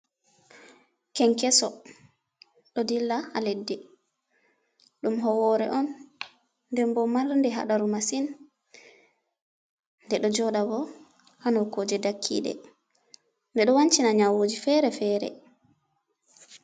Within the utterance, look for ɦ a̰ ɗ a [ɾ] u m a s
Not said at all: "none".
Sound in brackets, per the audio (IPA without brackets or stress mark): ɾ